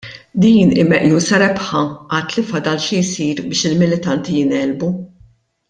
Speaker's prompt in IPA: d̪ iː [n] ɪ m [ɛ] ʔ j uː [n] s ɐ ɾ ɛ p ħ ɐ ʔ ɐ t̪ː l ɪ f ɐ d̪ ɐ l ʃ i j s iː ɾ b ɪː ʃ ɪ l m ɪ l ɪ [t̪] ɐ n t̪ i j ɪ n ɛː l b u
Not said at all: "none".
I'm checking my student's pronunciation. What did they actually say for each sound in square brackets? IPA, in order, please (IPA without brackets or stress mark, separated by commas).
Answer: n, ɛ, none, t̪